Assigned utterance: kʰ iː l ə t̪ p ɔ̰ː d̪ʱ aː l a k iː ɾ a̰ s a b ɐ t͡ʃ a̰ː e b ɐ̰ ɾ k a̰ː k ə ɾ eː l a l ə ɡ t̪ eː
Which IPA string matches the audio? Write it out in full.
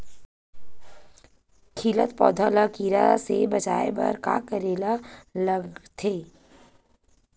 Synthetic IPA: kʰ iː l ə t̪ p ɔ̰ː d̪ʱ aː l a k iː ɾ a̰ s e b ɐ t͡ʃ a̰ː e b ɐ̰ ɾ k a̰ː k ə ɾ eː l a l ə ɡ t̪ʰ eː